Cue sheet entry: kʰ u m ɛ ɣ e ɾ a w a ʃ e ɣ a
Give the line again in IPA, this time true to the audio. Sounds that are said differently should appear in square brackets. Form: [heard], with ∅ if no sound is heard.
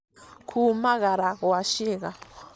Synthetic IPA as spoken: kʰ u m [a] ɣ [a] ɾ a w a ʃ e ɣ a